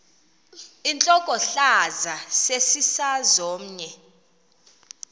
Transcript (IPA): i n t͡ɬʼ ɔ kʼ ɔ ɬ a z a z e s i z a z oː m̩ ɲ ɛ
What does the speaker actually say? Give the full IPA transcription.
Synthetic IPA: i n t͡ɬʼ ɔ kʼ ɔ ɬ a z a s e s i s a z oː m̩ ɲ ɛ